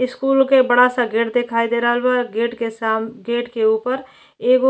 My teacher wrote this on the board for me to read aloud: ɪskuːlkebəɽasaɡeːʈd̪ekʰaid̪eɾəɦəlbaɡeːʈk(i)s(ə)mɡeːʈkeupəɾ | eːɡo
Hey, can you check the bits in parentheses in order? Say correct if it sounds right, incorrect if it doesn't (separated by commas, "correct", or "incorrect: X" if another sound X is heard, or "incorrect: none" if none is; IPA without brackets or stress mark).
incorrect: e, incorrect: a